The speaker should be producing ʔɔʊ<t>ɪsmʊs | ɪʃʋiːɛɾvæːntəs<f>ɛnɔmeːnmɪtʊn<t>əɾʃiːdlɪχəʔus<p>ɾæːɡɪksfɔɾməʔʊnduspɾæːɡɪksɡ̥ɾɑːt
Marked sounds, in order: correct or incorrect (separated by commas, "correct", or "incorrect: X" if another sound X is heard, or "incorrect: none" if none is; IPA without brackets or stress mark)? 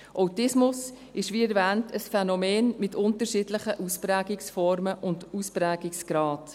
correct, correct, correct, correct